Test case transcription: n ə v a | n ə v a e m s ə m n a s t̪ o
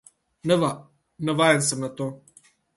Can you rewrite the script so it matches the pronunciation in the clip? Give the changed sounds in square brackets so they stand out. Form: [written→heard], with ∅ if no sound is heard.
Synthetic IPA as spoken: n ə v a | n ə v a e [m→n] s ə m n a [s→∅] t̪ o